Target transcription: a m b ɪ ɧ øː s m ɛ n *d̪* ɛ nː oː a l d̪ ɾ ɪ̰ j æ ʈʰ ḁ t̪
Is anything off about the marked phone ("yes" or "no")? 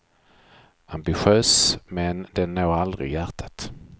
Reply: no